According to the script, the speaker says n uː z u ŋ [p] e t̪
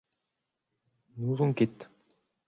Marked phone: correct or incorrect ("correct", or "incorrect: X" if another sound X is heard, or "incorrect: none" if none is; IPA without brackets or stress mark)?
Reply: incorrect: k